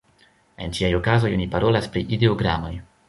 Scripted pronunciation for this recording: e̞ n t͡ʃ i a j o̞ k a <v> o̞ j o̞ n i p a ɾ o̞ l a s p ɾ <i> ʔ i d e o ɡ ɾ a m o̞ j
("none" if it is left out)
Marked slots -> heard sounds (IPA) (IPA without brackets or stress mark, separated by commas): z, i